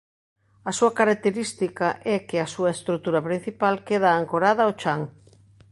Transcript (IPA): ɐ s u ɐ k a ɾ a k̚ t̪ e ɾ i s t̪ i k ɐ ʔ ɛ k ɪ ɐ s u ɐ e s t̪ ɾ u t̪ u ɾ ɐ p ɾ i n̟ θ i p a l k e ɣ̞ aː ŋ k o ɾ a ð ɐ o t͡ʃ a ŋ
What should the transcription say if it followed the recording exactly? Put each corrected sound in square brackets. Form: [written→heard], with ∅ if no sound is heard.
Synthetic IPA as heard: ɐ s u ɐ k a ɾ a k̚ t̪ e ɾ i s t̪ i k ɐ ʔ ɛ k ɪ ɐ s u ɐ e s t̪ ɾ u t̪ u ɾ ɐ p ɾ i n̟ θ i p a l k e [ɣ̞→ð̞] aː ŋ k o ɾ a ð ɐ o t͡ʃ a ŋ